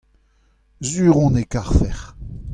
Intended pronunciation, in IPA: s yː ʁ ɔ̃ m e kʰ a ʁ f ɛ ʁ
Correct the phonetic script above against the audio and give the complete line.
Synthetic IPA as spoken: z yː ʁ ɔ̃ n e k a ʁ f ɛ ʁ